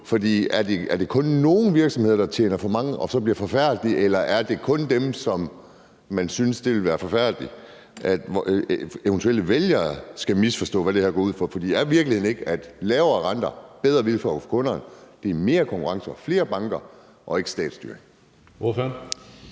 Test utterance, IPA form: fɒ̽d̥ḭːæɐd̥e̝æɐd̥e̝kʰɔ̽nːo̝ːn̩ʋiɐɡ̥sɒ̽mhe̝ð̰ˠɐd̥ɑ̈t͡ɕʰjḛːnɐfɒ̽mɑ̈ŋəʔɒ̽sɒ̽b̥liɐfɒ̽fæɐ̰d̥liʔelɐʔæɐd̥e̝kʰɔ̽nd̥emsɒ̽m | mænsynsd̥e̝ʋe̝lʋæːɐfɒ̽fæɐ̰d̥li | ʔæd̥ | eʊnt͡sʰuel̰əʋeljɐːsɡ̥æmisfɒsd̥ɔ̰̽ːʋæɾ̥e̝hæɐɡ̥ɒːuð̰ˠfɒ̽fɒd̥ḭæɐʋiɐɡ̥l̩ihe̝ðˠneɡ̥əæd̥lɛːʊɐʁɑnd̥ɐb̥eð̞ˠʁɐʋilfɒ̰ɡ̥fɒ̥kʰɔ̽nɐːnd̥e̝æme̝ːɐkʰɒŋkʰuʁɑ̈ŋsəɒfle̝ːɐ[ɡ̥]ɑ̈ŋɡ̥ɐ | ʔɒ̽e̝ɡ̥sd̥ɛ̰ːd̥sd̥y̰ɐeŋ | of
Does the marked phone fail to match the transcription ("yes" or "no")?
yes